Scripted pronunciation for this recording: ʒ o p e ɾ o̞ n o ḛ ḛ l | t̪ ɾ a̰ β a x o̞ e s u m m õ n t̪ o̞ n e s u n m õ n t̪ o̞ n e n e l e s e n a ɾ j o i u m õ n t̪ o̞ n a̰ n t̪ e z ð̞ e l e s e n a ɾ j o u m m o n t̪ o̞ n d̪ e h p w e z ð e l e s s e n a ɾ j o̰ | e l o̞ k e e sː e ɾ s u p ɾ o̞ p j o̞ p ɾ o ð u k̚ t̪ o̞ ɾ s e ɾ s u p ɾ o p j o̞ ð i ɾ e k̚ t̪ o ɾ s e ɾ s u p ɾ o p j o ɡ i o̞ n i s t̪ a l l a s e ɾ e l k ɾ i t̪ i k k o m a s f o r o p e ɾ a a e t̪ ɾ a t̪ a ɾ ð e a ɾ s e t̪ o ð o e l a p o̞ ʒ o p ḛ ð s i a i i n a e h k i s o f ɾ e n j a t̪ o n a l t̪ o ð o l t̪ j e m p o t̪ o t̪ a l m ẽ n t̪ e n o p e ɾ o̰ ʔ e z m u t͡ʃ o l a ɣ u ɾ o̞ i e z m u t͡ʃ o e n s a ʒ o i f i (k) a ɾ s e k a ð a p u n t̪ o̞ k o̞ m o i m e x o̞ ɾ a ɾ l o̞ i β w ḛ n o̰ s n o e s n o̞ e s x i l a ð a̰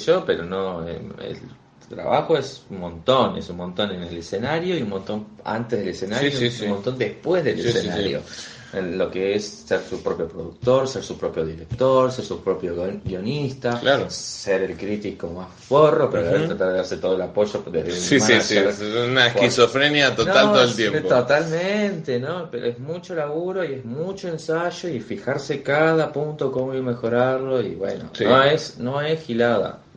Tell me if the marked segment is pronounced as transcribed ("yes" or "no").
no